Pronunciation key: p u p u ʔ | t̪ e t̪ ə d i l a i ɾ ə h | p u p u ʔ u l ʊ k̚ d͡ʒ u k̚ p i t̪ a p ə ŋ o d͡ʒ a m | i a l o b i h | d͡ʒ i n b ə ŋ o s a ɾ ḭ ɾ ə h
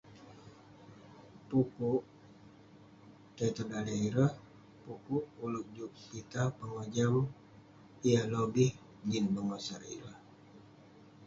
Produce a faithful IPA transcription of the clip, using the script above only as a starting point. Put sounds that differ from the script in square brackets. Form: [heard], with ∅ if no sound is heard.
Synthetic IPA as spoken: p u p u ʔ | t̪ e t̪ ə d [a] l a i ɾ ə h | p u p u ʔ u l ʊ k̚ d͡ʒ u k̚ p i t̪ a p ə ŋ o d͡ʒ a m | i a l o b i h | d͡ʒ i n b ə ŋ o s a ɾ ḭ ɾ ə h